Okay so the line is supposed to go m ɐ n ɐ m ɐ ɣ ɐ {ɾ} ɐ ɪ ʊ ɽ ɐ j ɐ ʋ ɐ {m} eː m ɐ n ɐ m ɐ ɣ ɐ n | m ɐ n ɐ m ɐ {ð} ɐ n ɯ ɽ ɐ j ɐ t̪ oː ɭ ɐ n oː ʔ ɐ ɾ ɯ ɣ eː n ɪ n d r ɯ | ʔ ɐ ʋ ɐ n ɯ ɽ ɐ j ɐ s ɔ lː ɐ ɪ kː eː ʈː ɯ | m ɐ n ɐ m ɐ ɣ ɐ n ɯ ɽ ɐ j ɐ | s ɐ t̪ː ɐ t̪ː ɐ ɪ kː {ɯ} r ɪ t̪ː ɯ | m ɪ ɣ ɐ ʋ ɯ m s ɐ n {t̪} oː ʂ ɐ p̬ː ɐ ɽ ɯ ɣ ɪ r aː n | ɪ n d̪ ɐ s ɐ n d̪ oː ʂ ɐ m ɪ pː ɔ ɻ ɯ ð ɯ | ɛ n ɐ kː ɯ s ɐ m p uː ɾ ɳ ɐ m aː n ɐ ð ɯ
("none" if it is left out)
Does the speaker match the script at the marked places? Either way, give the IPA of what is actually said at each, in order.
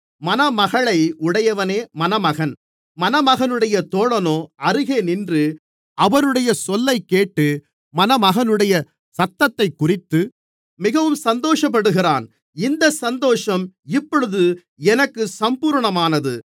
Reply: ɭ, n, ɣ, ʊ, d̪

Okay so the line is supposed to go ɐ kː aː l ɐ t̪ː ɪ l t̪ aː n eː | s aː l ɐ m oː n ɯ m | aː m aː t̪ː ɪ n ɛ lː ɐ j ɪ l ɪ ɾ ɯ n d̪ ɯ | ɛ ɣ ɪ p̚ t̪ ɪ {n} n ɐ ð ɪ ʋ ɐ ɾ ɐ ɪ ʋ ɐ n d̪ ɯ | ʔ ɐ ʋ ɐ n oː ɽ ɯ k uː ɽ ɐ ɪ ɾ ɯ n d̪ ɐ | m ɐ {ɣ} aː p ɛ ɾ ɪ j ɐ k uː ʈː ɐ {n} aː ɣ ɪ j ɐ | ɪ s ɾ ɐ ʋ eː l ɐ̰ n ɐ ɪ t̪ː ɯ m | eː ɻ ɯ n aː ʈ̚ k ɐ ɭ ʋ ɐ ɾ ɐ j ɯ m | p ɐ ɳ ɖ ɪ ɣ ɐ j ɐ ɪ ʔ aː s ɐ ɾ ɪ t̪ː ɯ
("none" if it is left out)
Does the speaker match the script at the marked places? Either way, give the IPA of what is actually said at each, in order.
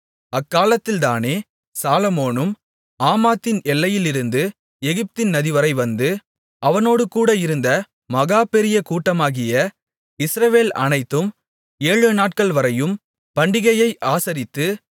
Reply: n, ɣ, m

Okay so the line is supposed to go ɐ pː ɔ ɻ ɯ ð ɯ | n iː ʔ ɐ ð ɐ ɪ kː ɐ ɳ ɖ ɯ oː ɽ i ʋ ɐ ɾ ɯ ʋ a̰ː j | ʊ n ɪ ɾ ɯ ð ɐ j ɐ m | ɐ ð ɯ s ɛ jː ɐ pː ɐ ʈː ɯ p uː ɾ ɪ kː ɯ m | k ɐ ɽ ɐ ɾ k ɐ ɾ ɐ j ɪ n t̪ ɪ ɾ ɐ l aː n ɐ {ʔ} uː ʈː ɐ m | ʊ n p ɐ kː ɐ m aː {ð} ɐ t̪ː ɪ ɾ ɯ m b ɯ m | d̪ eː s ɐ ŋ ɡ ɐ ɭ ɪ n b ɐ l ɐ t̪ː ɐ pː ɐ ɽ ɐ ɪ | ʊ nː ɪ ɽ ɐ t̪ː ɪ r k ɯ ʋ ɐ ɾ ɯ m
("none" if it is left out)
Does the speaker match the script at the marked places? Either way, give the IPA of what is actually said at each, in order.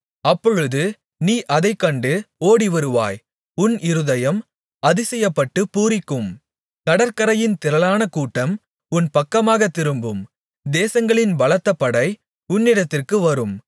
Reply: k, ɣ

